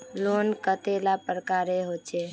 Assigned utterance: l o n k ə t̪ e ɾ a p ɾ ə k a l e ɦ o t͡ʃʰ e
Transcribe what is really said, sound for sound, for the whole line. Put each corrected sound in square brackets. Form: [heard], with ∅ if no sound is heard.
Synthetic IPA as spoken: l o n k ə t̪ e [l] a p ɾ ə k a [ɾ] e ɦ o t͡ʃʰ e